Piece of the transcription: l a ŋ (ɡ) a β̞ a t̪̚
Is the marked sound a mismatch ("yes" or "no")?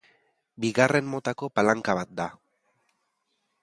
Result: yes